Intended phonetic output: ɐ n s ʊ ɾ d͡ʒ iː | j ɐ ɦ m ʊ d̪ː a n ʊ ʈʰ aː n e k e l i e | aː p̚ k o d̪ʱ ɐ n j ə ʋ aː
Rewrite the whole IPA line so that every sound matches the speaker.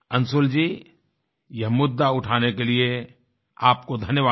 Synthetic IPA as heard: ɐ n s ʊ l d͡ʒ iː | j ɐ ɦ m ʊ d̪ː a ʊ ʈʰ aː n e k e l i e | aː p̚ k o d̪ʱ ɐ n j ə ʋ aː

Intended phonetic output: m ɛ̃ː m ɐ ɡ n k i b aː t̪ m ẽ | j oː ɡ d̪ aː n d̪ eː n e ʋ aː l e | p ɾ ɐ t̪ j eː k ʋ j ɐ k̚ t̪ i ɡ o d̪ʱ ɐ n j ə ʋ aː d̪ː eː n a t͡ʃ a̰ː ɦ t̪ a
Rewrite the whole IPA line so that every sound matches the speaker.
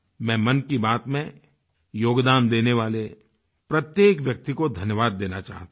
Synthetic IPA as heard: m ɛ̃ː m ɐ n k i b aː t̪ m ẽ | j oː ɡ d̪ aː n d̪ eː n e ʋ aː l e | p ɾ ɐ t̪ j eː k ʋ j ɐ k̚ t̪ i k o d̪ʱ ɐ n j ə ʋ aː d̪ː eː n a t͡ʃ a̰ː ɦ t̪ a

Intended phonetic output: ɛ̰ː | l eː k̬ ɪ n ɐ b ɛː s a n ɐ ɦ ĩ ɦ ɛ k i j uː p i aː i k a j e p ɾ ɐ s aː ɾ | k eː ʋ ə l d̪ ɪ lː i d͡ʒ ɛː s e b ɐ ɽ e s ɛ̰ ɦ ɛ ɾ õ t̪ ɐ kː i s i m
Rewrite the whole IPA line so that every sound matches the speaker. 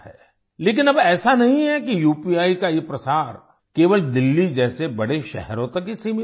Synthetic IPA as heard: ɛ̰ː | l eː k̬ ɪ n ɐ b ɛː s a n ɐ ɦ ĩ ɦ ɛ k i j uː p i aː i k a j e p ɾ ɐ s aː ɾ | k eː ʋ ə l d̪ ɪ lː i d͡ʒ ɛː s e b ɐ ɽ e ʃ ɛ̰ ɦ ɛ ɾ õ t̪ ɐ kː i s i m

